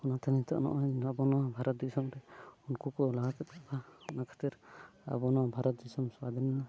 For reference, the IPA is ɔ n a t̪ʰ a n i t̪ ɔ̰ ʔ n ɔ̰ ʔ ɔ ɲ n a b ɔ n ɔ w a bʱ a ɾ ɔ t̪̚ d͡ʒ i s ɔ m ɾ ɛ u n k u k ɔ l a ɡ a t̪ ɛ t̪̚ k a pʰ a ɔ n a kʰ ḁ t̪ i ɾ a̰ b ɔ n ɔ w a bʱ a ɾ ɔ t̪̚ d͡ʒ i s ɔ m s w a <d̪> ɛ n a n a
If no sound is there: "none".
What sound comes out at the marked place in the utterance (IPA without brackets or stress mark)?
d̪